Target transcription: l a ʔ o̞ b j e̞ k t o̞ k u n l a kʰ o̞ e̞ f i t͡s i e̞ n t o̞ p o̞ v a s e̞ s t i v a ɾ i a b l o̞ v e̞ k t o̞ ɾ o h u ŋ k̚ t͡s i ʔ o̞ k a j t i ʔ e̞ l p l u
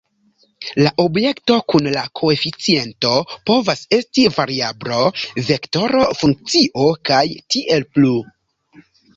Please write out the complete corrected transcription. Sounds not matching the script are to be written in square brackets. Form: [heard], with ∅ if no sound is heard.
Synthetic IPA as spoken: l a ʔ o̞ b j e̞ k t o̞ k u n l a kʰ o̞ e̞ f i t͡s i e̞ n t o̞ p o̞ v a s e̞ s t i v a ɾ i a b l o̞ v e̞ k t o̞ ɾ o [f] u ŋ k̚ t͡s i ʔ o̞ k a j t i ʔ e̞ l p l u